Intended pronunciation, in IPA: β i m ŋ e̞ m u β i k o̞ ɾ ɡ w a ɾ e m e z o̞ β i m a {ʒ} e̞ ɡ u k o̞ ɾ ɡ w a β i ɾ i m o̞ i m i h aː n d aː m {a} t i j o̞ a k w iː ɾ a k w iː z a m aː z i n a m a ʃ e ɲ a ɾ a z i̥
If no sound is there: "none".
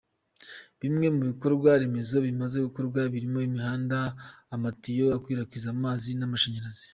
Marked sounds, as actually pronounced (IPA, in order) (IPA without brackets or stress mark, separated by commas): z, a